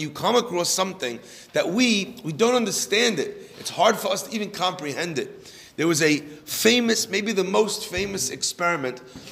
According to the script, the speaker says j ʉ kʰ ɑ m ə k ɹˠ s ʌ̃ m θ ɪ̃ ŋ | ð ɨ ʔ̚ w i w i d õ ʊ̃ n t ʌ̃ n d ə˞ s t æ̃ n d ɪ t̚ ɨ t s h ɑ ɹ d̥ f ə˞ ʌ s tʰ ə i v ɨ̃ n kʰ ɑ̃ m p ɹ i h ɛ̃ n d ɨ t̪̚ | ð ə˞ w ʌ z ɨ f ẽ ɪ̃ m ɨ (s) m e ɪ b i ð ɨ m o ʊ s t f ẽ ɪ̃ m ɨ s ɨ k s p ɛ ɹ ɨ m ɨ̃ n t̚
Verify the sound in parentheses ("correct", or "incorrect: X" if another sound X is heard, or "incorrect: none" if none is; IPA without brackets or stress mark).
correct